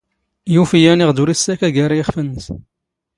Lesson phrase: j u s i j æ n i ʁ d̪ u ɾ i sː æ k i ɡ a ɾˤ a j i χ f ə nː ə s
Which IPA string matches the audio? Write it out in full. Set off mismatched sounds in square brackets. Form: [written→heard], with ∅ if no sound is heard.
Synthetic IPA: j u [s→f] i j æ n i ʁ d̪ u ɾ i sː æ k [i→æ] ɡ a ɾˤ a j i χ f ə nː ə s

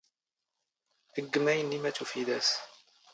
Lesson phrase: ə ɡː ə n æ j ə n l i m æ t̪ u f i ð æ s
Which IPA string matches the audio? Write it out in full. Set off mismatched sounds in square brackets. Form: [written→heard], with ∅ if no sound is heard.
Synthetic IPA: ə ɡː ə [n→m] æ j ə n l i m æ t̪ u f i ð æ s

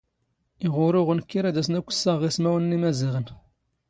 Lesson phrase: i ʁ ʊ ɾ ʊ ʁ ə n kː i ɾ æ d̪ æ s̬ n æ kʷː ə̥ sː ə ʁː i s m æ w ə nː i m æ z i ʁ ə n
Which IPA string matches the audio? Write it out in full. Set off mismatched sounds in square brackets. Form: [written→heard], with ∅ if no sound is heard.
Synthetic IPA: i ʁ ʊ ɾ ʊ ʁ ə n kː i ɾ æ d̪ æ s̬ n æ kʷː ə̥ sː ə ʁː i s m æ w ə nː i m æ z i ʁ ə n

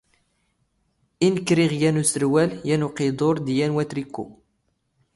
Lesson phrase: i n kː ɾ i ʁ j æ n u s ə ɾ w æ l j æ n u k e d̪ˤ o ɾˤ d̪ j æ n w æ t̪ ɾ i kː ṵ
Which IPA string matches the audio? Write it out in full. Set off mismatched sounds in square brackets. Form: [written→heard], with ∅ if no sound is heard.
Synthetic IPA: i n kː ɾ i ʁ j æ n u s ə ɾ w æ l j æ n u [k→q] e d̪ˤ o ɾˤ d̪ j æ n w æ t̪ ɾ i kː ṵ

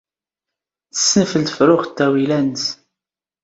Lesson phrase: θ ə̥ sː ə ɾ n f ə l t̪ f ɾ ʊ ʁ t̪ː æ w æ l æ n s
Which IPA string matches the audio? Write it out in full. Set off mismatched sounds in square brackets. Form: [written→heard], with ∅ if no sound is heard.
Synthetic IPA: θ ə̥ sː ə [ɾ→∅] n f ə l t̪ f ɾ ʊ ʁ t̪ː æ w [æ→i] l æ n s

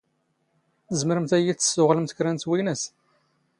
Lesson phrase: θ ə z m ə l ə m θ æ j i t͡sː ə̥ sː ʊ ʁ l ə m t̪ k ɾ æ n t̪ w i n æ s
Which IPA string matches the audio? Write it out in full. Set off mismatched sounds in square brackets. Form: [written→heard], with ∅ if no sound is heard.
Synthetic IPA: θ ə z m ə [l→ɾ] ə m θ æ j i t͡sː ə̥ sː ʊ ʁ l ə m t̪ k ɾ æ n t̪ w i n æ s

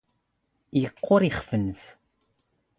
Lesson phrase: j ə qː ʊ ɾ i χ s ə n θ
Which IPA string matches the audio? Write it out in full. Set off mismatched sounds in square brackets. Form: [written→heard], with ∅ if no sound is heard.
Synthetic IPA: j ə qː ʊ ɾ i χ [s→f] ə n θ

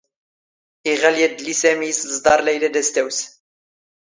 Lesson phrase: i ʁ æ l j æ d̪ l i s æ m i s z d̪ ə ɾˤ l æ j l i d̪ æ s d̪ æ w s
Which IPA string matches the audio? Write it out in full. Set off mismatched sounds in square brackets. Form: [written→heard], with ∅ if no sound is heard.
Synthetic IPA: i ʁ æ l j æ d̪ l i s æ m i s z d̪ [ə→ɑ] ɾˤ l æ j l [i→æ] d̪ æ s [d̪→t̪] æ w s

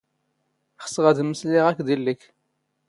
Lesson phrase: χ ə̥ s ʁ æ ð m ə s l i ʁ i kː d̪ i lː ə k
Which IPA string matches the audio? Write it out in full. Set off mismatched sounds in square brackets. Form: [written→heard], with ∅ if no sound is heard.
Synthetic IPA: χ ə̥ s ʁ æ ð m ə s l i ʁ [i→æ] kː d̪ i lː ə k

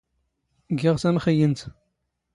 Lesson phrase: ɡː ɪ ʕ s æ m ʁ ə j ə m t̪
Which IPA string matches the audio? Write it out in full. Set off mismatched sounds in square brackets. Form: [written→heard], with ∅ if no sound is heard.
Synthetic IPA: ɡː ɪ [ʕ→ʁ] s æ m [ʁ→χ] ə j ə [m→n] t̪

